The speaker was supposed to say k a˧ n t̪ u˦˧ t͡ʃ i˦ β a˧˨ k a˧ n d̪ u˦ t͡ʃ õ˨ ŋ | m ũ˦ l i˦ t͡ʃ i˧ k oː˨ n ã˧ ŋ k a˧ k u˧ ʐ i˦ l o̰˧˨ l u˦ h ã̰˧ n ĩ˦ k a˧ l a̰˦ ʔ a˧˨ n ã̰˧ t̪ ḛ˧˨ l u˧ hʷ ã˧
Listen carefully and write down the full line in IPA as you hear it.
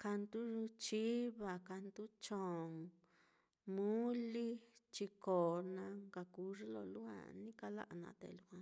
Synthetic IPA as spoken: k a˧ n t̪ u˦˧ t͡ʃ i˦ β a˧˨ k a˧ n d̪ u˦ t͡ʃ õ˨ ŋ | m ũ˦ l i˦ t͡ʃ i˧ k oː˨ n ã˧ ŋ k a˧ k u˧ ʐ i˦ l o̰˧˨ l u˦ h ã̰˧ n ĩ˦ k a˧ l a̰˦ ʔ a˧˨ n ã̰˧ t̪ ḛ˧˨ l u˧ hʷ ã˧